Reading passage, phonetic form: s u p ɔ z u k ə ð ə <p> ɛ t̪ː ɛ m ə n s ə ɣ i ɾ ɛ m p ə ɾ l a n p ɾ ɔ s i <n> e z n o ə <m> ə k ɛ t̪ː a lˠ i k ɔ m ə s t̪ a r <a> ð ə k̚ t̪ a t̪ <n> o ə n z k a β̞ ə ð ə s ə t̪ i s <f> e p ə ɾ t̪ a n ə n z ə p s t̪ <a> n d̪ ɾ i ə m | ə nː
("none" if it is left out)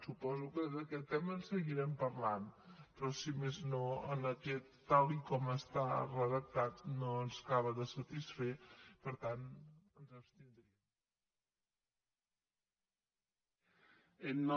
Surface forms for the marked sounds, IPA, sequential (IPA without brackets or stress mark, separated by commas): k, m, n, ə, n, f, i